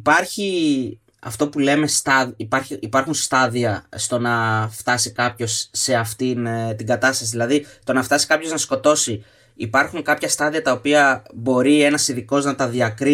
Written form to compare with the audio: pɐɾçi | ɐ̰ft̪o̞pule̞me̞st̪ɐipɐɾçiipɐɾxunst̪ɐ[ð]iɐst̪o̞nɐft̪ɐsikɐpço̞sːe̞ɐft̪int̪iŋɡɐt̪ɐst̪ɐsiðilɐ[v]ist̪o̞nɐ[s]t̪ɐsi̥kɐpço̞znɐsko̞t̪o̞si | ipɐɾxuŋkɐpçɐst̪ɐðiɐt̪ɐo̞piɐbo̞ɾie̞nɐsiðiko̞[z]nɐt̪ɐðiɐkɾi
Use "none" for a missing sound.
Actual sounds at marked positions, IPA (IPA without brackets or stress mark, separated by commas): ð, ð, f, z